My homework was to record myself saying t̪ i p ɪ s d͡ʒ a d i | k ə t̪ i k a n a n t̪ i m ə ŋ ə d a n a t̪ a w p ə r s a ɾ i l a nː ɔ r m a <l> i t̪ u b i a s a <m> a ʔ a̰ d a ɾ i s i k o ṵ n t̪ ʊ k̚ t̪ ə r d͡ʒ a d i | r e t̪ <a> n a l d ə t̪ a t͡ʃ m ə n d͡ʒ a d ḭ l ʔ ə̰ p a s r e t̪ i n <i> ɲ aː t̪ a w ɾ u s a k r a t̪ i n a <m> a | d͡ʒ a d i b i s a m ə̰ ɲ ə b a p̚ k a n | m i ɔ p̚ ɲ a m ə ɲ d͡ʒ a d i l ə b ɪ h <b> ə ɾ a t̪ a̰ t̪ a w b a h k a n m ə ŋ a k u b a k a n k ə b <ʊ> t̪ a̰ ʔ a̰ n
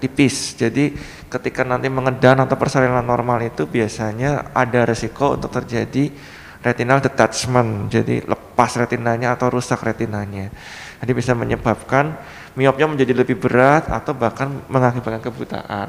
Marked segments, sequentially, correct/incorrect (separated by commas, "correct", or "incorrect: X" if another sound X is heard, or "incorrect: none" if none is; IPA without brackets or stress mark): correct, incorrect: ɲ, incorrect: i, incorrect: a, incorrect: ɲ, correct, incorrect: u